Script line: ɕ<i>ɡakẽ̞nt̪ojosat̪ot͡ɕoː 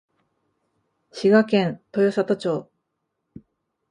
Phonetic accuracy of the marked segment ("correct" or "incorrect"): correct